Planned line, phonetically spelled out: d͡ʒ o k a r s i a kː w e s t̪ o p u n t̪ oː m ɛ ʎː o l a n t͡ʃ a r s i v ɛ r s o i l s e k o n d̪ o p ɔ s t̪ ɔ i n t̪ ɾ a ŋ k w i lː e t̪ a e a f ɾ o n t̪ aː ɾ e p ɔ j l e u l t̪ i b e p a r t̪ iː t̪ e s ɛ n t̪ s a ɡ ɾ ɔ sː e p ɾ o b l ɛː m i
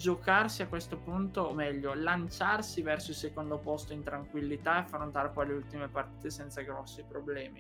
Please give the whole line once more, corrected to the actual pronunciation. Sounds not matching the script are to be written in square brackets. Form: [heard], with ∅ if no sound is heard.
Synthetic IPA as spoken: d͡ʒ o k a r s i a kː w e s t̪ o p u n t̪ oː m ɛ ʎː o l a n t͡ʃ a r s i v ɛ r s o i l s e k o n d̪ o p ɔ s t̪ [o] i n t̪ ɾ a ŋ k w i lː [i] t̪ a e a f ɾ o n t̪ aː ɾ e p ɔ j l e u l t̪ i [m] e p a r t̪ iː t̪ e s ɛ n t̪ s a ɡ ɾ ɔ sː [i] p ɾ o b l ɛː m i